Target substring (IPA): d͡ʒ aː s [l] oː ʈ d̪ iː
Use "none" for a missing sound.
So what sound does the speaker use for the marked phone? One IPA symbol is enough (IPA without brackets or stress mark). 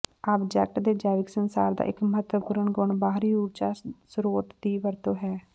ɾ